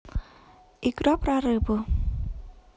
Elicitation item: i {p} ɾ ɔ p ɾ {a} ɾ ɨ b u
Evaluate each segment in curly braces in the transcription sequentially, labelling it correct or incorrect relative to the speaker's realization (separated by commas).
incorrect, correct